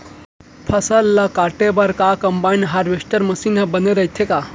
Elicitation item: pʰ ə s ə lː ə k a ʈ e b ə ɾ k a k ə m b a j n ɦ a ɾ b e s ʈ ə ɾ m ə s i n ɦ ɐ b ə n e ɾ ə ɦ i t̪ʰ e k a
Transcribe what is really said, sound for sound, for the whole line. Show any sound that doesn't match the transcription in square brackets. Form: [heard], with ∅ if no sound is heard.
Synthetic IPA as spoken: pʰ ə s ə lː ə k a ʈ e b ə ɾ k a k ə m b a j n ɦ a ɾ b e s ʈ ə ɾ m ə s i n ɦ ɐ b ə n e ɾ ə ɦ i t̪ʰ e k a